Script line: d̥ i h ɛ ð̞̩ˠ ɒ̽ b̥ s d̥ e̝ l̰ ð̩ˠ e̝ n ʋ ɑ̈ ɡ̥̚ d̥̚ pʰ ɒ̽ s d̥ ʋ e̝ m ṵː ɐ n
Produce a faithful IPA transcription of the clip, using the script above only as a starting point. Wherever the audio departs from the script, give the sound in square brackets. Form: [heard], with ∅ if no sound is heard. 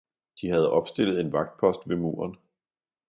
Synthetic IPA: d̥ i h [æ] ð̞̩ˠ ɒ̽ b̥ s d̥ e̝ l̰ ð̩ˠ e̝ n ʋ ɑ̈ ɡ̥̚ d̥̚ pʰ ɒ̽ s d̥ ʋ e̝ m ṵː ɐ n